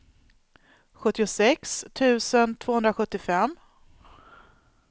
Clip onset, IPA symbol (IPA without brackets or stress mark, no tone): ɧ